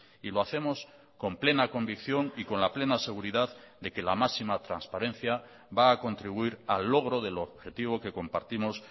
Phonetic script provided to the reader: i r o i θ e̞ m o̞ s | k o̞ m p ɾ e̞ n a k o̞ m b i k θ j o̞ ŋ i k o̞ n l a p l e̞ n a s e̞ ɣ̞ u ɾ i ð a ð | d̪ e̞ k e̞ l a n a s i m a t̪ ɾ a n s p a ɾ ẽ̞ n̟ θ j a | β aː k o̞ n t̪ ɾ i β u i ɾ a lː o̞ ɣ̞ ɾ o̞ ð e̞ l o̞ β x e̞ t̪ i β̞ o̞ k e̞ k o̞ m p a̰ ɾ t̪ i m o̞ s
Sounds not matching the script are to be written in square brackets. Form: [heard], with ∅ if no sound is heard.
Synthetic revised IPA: i [l] o [a] θ e̞ m o̞ s | k o̞ m p [l] e̞ n a k o̞ m b i k θ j o̞ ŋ i k o̞ n l a p l e̞ n a s e̞ ɣ̞ u ɾ i ð a ð | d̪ e̞ k e̞ l a [m] a s i m a t̪ ɾ a n s p a ɾ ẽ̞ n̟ θ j a | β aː k o̞ n t̪ ɾ i β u i ɾ a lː o̞ ɣ̞ ɾ o̞ ð e̞ l o̞ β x e̞ t̪ i β̞ o̞ k e̞ k o̞ m p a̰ ɾ t̪ i m o̞ s